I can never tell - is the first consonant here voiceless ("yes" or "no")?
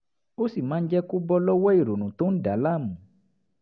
yes